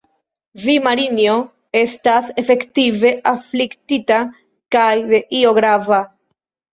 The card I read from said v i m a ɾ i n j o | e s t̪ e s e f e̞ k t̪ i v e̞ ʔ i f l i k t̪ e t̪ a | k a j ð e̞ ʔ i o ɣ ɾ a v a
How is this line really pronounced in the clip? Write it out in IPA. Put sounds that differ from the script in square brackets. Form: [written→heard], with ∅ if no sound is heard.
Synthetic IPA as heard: v i m a ɾ i n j o | e s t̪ [e→a] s e f e̞ k t̪ i v e̞ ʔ [i→a] f l i k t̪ [e→i] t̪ a | k a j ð e̞ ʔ i o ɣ ɾ a v a